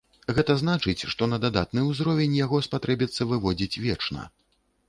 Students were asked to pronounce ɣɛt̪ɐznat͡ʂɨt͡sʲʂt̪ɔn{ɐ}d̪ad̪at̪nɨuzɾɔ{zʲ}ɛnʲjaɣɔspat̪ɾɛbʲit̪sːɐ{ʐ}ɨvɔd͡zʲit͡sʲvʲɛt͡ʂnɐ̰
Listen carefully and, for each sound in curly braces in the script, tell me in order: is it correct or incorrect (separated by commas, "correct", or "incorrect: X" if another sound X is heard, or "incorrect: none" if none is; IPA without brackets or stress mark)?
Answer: correct, incorrect: vʲ, incorrect: v